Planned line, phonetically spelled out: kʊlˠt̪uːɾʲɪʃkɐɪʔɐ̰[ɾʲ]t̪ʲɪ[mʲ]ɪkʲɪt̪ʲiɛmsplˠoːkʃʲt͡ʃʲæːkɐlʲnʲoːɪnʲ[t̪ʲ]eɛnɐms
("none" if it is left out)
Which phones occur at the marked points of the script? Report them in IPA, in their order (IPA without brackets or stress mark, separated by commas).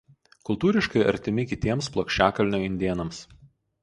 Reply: ɾʲ, mʲ, d̪ʲ